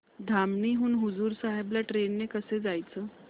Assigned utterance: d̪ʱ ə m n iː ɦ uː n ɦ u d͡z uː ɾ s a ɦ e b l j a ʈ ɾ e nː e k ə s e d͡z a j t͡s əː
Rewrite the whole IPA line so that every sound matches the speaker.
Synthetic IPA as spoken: d̪ʱ a m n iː ɦ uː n ɦ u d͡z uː ɾ s a ɦ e b l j a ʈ ɾ e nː e k ə s e d͡z a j t͡s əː